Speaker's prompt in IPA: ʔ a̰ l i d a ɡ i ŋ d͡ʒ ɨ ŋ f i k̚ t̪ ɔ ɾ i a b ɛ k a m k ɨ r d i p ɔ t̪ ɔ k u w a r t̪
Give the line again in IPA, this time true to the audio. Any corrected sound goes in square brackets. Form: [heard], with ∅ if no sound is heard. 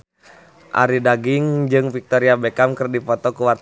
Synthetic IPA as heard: ʔ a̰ [ɾ] i d a ɡ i ŋ d͡ʒ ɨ ŋ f i k̚ t̪ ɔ ɾ i a b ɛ k a m k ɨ r d i p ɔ t̪ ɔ k u w a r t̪